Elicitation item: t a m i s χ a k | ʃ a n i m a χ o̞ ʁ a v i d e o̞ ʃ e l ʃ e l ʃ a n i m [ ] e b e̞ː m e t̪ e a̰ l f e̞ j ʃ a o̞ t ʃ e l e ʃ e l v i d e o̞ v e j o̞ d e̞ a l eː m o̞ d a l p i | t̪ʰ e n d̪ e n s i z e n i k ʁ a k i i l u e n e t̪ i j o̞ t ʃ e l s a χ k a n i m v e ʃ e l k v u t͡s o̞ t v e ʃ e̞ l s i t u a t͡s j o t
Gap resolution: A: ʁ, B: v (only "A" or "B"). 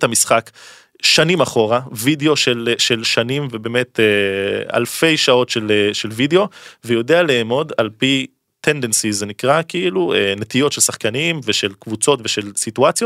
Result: B